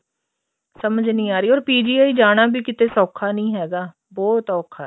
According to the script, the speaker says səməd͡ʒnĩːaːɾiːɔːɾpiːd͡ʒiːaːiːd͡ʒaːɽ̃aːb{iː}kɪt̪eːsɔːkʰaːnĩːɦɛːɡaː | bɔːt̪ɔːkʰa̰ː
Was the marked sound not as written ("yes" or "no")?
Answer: no